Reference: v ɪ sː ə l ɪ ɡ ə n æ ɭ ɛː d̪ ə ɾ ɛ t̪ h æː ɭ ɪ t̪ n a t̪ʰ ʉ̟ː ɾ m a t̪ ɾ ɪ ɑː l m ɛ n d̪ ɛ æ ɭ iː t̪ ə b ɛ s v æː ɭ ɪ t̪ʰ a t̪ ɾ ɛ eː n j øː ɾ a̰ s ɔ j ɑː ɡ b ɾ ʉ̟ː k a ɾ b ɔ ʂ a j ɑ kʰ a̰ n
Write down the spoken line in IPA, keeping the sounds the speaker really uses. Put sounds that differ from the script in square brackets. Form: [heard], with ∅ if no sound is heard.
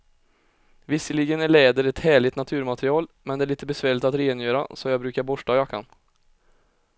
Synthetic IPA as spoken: v ɪ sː ə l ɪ ɡ ə n æ ɭ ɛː d̪ ə ɾ ɛ t̪ h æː ɭ ɪ t̪ n a t̪ʰ ʉ̟ː ɾ m a t̪ ɾ ɪ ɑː l m ɛ n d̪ ɛ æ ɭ iː t̪ ə b ɛ s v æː ɭ ɪ [t̪] a t̪ ɾ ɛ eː n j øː ɾ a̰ s ɔ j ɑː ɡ b ɾ ʉ̟ː k a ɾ b ɔ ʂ a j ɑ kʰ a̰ n